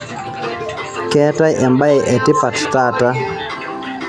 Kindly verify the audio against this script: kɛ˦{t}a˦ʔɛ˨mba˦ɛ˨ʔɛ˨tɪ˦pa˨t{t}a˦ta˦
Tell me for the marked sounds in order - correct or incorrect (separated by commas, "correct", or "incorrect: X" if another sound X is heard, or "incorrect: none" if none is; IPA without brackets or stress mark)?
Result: correct, correct